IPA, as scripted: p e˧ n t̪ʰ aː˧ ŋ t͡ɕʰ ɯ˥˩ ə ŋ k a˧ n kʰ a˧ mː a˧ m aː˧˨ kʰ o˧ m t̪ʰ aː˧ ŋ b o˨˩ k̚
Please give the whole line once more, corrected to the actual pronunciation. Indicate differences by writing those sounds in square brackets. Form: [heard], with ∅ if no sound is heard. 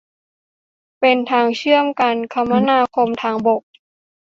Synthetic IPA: p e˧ n t̪ʰ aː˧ ŋ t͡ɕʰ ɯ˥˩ ə [m] k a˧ n kʰ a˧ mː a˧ [n] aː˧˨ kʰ o˧ m t̪ʰ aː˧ ŋ b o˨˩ k̚